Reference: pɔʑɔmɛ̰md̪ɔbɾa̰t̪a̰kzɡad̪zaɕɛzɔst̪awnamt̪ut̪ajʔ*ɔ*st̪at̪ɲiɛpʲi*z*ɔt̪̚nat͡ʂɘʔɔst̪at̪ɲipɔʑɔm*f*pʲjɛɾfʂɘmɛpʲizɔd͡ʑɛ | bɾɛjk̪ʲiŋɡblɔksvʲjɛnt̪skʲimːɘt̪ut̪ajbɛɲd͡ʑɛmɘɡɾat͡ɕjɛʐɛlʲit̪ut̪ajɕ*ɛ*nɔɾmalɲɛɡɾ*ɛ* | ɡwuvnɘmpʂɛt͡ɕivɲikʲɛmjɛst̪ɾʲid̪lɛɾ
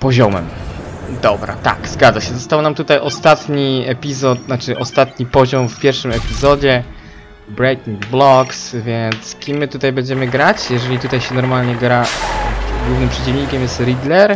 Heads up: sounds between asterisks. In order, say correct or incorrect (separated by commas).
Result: correct, correct, correct, correct, incorrect